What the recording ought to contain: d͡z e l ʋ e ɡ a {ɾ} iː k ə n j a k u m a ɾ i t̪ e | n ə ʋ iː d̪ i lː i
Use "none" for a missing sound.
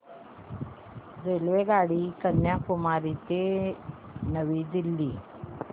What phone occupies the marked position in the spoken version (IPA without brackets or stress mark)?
ɽ